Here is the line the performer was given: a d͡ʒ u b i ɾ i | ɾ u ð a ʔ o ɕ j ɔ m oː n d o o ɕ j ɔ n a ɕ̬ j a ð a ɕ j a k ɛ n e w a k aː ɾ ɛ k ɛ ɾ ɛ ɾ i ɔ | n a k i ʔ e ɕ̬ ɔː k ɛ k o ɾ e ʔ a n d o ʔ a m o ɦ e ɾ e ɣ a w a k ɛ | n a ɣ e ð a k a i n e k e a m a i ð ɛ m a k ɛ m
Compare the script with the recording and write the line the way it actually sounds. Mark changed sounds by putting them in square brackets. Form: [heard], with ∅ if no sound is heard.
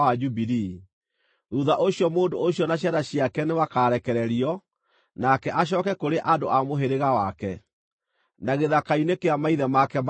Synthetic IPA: a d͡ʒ u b i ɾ i | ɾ u ð a ʔ o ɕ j ɔ m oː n d o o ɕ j ɔ n a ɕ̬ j a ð a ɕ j a k ɛ n e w a k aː ɾ ɛ k ɛ ɾ ɛ ɾ i ɔ | n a k [ɛ] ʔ [a] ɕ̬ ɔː k ɛ k o ɾ e ʔ a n d o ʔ a m o ɦ e ɾ e ɣ a w a k ɛ | n a ɣ e ð a k a i n e k e a m a i ð ɛ m a k ɛ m